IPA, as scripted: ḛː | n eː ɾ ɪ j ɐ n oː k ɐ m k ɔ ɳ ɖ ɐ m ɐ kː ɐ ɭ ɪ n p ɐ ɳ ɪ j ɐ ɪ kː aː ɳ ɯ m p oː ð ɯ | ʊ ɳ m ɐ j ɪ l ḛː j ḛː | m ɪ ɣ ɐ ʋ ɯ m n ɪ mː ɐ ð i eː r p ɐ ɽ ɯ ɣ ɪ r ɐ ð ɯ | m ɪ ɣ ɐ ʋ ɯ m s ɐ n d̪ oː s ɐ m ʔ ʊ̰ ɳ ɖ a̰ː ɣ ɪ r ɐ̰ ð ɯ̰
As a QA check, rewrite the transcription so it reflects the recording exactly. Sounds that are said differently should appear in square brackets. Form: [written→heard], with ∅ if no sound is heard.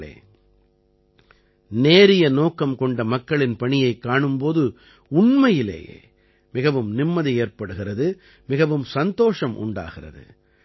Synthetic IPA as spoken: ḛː | n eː ɾ ɪ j ɐ n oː k ɐ m k ɔ ɳ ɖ ɐ m ɐ kː ɐ ɭ ɪ n p ɐ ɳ ɪ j ɐ ɪ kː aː ɳ ɯ m p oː ð ɯ | ʊ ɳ m ɐ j ɪ l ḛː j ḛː | m ɪ ɣ ɐ ʋ ɯ m n ɪ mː ɐ ð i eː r p ɐ ɽ ɯ ɣ ɪ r ɐ ð ɯ | m ɪ ɣ ɐ ʋ ɯ m s ɐ n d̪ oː [s→ʂ] ɐ m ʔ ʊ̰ ɳ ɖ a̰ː ɣ ɪ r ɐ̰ ð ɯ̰

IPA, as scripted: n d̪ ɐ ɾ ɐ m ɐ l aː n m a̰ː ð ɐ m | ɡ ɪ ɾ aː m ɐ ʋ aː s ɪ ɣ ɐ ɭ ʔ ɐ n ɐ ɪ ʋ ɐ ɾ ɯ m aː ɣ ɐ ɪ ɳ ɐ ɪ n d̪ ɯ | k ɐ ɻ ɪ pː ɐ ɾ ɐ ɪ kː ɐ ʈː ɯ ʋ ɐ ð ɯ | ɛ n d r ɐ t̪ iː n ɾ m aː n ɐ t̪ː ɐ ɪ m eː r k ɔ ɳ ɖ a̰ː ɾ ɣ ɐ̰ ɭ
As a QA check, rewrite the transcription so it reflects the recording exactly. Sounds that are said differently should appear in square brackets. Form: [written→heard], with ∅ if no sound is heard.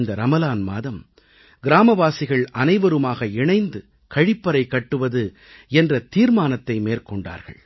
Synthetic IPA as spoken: n d̪ ɐ ɾ ɐ m ɐ l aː n m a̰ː ð ɐ m | ɡ ɪ ɾ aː m ɐ ʋ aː s ɪ ɣ ɐ ɭ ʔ ɐ n ɐ ɪ ʋ ɐ ɾ ɯ m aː ɣ ɐ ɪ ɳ ɐ ɪ n d̪ ɯ | k ɐ ɻ ɪ pː ɐ ɾ ɐ ɪ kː ɐ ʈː ɯ ʋ ɐ ð ɯ | ɛ n d r ɐ t̪ iː [n→∅] ɾ m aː n ɐ t̪ː ɐ ɪ m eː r k ɔ ɳ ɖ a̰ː ɾ ɣ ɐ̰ ɭ

